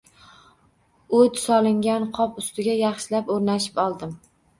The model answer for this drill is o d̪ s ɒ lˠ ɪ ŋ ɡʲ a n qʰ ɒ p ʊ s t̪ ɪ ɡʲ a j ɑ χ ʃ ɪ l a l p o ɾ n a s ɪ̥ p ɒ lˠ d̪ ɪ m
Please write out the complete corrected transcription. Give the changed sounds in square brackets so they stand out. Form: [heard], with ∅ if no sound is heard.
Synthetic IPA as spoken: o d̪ s ɒ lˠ ɪ ŋ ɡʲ a n qʰ ɒ p ʊ s t̪ ɪ ɡʲ a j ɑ χ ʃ ɪ l a [∅] p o ɾ n a [ʃ] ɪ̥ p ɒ lˠ d̪ ɪ m